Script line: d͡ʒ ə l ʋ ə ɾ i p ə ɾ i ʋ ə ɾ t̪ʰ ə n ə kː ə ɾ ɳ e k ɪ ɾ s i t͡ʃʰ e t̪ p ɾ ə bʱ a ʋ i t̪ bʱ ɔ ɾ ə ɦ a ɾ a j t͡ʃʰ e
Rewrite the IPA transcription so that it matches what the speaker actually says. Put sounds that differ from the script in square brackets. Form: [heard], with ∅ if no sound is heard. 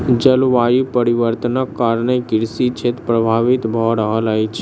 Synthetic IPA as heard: d͡ʒ ə l ʋ [a] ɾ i p ə ɾ i ʋ ə ɾ [t̪] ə n ə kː [a] ɾ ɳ e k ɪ ɾ s i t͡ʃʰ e t̪ p ɾ ə bʱ a ʋ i t̪ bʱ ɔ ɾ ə ɦ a [l] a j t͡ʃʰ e